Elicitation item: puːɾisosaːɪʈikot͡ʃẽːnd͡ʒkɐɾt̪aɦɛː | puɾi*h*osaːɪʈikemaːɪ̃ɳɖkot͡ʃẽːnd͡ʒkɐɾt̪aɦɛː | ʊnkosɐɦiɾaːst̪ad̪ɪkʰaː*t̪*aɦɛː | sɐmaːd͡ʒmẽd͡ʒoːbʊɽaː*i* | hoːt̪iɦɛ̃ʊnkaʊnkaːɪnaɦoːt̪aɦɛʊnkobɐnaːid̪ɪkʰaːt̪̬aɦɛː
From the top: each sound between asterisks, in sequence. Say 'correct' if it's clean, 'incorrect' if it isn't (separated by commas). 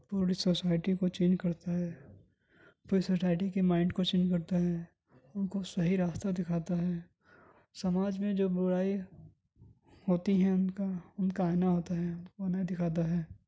incorrect, correct, correct